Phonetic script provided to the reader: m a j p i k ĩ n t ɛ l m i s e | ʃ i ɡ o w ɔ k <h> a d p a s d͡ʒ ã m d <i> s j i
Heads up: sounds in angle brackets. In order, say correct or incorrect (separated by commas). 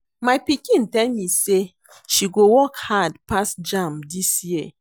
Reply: correct, correct